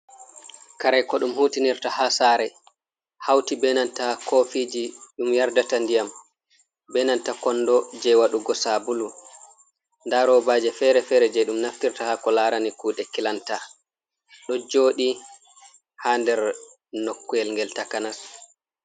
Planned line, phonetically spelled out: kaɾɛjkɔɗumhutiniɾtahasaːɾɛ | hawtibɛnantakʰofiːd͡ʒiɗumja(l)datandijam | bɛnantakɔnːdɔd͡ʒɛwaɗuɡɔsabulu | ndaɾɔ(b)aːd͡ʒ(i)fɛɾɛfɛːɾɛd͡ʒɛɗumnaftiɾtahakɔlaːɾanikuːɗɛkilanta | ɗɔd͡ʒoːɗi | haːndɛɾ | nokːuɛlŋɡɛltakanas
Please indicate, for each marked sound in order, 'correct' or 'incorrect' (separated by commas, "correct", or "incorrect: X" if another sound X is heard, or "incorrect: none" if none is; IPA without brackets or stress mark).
incorrect: ɾ, correct, incorrect: ɛ